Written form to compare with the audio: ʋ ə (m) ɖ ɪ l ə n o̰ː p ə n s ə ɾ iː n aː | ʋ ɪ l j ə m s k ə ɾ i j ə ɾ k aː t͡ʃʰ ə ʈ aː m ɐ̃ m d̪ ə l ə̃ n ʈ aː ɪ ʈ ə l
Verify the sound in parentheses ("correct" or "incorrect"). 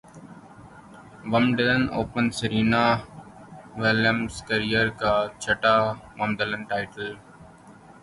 correct